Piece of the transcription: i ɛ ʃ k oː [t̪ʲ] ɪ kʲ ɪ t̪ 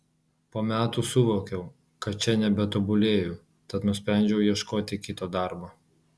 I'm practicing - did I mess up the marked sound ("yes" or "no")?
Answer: no